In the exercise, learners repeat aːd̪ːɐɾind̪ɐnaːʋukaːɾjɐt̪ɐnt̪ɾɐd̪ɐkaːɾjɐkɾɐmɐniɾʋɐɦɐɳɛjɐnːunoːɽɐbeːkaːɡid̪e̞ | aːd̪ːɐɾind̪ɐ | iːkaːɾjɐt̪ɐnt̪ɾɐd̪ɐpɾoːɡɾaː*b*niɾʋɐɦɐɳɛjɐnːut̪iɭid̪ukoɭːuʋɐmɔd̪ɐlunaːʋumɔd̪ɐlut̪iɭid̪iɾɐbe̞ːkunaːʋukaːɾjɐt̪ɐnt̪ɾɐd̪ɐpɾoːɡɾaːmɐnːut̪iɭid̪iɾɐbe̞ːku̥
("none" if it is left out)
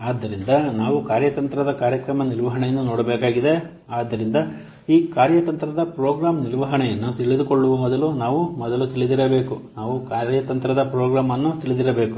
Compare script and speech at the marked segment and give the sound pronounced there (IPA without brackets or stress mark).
m